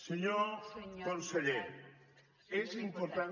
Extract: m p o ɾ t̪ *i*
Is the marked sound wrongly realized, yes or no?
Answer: yes